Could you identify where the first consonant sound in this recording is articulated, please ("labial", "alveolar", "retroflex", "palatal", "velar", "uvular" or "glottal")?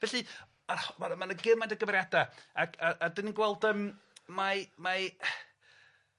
labial